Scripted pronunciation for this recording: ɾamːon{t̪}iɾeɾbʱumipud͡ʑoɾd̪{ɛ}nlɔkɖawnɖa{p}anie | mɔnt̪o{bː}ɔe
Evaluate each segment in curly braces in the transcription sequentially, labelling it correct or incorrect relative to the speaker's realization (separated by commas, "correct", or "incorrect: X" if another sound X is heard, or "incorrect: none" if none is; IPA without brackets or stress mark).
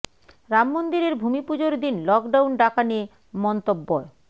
incorrect: d̪, incorrect: i, incorrect: k, correct